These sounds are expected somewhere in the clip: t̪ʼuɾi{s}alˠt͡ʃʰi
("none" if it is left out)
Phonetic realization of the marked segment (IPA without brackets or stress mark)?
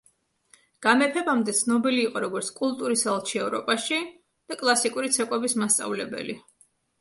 s